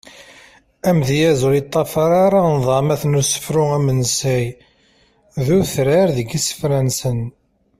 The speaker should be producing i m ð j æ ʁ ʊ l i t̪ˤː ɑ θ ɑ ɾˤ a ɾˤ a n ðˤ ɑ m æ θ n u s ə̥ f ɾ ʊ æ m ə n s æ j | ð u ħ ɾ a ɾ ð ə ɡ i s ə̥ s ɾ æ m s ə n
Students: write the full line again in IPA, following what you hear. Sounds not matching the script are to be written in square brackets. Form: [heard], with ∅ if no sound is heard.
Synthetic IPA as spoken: [æ] m ð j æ [z] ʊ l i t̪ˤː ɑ [f] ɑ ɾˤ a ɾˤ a n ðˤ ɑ m æ θ n u s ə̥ f ɾ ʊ æ m ə n s æ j | ð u [θ] ɾ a ɾ ð ə ɡ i s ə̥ [f] ɾ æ [n] s ə n